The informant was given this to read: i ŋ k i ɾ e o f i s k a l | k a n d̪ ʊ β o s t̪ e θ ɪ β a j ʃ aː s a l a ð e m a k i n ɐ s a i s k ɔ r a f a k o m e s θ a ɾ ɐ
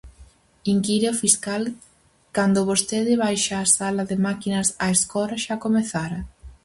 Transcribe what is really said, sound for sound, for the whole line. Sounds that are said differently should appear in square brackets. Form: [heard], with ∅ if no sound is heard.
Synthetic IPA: i ŋ k i ɾ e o f i s k a l | k a n d̪ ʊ β o s t̪ e [ð] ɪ β a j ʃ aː s a l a ð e m a k i n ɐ s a [e] s k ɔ [ɾ] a [ʃ] a k o m e [∅] θ a ɾ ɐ